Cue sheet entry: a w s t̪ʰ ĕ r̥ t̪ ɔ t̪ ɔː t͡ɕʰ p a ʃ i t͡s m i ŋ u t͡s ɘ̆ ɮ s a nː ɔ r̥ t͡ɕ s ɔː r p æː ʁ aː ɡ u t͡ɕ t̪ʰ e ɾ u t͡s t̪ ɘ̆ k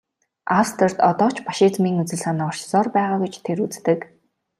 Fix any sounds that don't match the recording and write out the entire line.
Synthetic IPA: a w s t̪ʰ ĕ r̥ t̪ ɔ t̪ ɔː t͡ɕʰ p a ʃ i t͡s m iː ŋ u t͡s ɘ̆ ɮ s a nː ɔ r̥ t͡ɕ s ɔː r p æː ʁ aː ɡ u t͡ɕ t̪ʰ e ɾ u t͡s t̪ ɘ̆ k